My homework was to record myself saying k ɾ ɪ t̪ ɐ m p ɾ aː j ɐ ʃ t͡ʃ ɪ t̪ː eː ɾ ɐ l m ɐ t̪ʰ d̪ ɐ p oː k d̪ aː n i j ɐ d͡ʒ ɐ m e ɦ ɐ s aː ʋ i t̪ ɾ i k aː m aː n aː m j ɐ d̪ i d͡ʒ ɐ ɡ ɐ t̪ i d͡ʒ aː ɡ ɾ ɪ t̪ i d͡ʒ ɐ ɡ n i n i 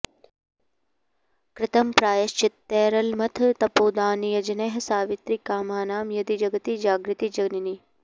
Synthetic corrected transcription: k ɾ ɪ t̪ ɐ m p ɾ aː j ɐ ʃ t͡ʃ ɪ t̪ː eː ɾ ɐ l m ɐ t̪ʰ t̪ ɐ p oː d̪ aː n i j ɐ d͡ʒ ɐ n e ɦ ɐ s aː ʋ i t̪ ɾ i k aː m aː n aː m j ɐ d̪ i d͡ʒ ɐ ɡ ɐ t̪ i d͡ʒ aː ɡ ɾ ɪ t̪ i d͡ʒ ɐ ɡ n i n i